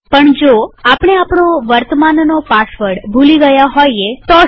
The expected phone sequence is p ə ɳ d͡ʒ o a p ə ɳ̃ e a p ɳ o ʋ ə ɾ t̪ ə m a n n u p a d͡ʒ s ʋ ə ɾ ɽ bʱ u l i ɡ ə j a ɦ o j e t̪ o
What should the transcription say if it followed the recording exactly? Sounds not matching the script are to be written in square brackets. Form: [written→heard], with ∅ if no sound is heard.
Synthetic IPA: p ə ɳ d͡ʒ o a p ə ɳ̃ e a p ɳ o ʋ ə ɾ t̪ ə m a n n [u→o] p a [d͡ʒ→∅] s ʋ ə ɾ ɽ bʱ u l i ɡ ə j a ɦ o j e t̪ o